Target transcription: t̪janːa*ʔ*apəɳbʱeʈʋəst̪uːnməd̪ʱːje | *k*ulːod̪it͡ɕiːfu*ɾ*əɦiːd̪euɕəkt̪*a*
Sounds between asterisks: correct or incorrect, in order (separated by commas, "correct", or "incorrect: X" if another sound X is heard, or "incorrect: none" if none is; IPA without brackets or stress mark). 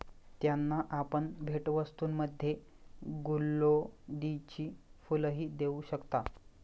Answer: correct, incorrect: ɡ, incorrect: l, correct